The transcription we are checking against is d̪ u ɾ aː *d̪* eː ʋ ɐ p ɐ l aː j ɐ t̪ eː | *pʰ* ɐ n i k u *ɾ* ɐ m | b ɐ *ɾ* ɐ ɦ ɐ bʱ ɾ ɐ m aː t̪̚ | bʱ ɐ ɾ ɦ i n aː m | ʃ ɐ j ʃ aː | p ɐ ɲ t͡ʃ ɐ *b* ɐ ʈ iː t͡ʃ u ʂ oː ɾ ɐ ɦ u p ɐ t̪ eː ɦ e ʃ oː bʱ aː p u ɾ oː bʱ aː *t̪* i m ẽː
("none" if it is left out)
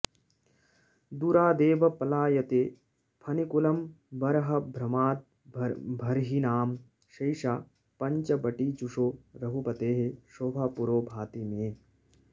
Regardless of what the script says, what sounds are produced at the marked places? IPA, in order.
d̪, pʰ, l, ɾ, b, t̪

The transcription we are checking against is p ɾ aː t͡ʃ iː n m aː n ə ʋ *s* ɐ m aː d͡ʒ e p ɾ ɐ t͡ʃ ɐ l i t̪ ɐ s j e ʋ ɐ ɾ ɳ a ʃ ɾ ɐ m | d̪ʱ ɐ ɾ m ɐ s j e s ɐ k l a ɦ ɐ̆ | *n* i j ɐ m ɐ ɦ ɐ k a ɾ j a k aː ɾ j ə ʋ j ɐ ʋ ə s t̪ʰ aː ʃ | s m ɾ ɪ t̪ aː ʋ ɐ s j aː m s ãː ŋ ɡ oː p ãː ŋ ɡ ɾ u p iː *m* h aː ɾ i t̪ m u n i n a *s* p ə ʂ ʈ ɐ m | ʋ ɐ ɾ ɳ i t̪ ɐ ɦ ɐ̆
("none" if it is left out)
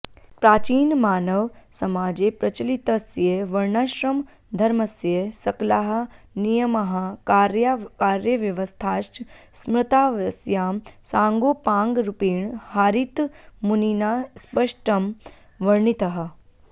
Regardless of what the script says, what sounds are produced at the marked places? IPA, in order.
s, n, ɳ, s

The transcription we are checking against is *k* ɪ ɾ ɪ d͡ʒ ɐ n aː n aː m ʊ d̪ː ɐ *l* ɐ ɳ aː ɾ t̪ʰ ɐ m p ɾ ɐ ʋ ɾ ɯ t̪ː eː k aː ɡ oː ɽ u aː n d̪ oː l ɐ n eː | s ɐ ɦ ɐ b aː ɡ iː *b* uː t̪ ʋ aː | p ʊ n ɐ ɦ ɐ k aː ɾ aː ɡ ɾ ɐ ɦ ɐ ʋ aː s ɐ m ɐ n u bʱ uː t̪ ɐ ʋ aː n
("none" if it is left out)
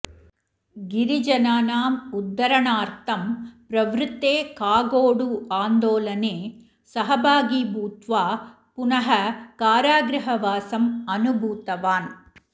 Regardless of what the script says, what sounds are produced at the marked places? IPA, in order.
ɡ, ɾ, b

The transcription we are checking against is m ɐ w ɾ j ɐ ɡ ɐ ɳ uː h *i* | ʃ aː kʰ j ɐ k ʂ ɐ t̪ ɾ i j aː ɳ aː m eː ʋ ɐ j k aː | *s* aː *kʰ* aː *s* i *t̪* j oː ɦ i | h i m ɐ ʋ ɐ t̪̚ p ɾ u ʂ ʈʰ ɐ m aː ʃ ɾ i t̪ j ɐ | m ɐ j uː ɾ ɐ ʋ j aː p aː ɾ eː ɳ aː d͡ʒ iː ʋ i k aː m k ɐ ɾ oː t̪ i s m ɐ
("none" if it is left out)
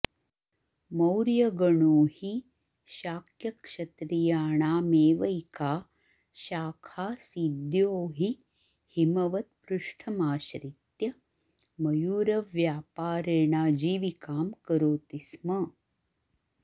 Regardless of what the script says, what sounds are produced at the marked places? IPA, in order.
i, ʃ, kʰ, s, d̪

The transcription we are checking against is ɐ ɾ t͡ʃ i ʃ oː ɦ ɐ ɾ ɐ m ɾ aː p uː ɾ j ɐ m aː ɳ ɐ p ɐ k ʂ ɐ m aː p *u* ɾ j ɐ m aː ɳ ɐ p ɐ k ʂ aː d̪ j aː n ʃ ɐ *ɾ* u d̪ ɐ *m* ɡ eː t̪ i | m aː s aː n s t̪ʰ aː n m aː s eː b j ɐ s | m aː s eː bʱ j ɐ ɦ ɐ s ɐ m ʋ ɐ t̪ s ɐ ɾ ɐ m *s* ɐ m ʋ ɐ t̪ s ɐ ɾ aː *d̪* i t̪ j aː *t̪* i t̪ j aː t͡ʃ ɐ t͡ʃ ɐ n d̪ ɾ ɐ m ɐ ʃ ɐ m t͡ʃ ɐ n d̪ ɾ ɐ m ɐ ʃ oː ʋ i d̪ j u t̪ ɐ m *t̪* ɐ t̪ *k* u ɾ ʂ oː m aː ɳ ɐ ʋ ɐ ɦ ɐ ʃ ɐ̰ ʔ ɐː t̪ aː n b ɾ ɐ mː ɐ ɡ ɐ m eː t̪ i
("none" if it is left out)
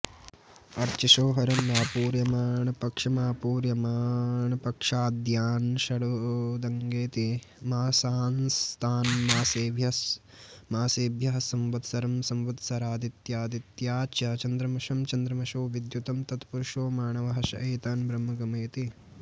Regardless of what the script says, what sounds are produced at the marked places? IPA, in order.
uː, ɽ, ŋ, s, d̪, d̪, t̪, p

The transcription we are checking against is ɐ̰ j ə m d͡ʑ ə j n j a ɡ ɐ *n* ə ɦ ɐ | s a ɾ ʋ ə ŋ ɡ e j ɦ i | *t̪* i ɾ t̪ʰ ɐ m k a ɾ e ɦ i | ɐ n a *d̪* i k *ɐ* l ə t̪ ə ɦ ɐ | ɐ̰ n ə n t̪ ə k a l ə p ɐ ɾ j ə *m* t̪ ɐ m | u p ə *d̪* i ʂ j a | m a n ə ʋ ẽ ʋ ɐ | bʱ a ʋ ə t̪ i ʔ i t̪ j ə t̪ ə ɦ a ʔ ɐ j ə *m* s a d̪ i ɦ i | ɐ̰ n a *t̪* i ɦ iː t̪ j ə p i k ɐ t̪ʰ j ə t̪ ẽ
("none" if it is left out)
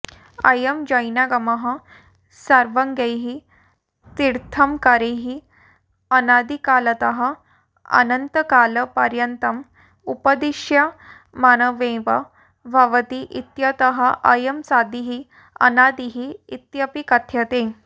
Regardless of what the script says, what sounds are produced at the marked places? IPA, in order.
m, t̪, d̪, a, n, d̪, m, d̪

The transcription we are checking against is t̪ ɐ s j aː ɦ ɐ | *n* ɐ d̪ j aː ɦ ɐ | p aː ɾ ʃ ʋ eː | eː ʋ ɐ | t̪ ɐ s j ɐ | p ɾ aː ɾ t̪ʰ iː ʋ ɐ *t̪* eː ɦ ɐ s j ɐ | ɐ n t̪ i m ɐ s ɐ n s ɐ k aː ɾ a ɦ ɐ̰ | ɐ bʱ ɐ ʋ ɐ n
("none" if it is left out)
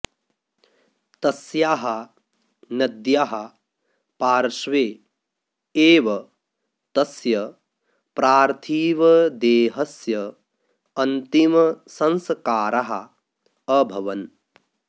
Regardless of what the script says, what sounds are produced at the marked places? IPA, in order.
n, d̪

